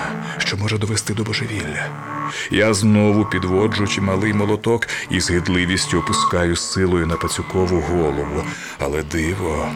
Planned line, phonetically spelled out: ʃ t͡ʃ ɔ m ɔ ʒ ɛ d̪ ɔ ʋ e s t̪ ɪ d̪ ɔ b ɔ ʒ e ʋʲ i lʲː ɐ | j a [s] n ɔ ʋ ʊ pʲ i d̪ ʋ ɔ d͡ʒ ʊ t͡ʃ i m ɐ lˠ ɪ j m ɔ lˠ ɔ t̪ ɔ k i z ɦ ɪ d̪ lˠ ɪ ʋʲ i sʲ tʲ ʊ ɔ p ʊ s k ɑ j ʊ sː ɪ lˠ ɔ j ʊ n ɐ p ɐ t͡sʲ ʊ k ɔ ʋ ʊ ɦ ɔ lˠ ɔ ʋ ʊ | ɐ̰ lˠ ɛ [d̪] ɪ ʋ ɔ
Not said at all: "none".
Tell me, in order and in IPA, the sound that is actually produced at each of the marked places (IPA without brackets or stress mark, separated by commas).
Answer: z, d̪